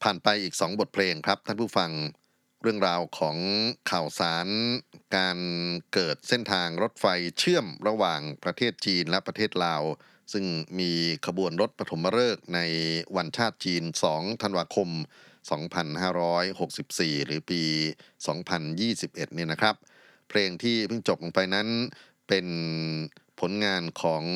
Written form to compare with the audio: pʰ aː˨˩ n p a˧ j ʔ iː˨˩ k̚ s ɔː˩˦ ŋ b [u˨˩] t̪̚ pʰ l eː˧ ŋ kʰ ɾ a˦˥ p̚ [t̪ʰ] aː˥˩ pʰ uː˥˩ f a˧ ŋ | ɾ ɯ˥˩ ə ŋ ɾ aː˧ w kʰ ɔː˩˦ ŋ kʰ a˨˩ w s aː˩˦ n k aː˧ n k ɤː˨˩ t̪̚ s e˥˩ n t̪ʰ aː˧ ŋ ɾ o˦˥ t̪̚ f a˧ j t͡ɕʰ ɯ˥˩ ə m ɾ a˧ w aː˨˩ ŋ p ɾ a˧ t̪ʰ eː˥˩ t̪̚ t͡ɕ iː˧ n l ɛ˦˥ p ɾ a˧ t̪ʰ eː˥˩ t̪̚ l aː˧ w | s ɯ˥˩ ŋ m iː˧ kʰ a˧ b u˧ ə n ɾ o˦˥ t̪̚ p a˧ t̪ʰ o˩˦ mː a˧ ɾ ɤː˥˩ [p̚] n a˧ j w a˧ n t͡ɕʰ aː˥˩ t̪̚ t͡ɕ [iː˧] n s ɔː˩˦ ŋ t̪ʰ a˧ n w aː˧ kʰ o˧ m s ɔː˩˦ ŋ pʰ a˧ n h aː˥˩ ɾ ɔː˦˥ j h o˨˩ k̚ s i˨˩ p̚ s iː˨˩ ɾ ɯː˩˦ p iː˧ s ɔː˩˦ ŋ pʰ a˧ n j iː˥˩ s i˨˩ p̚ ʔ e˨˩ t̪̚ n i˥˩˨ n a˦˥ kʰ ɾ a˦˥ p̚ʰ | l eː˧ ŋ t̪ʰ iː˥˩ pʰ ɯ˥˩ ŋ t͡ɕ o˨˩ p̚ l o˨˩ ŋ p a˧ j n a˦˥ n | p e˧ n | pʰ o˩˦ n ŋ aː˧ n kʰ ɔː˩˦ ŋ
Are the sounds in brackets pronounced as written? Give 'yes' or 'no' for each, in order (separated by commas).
no, yes, no, yes